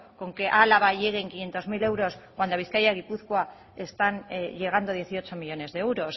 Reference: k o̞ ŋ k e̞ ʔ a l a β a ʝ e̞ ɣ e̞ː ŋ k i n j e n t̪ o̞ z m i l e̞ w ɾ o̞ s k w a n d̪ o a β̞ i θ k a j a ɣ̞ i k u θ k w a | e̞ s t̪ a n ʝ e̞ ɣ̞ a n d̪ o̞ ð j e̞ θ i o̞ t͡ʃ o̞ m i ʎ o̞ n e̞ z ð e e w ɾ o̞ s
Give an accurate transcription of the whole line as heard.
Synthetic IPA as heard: k o̞ ŋ k e̞ ʔ a l a β a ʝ e̞ ɣ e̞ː ŋ k i n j e n t̪ o̞ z m i l e̞ w ɾ o̞ s k w a n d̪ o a β̞ i θ k a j a ɣ̞ i p u θ k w a | e̞ s t̪ a n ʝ e̞ ɣ̞ a n d̪ o̞ ð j e̞ θ i o̞ t͡ʃ o̞ m i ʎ o̞ n e̞ z ð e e w ɾ o̞ s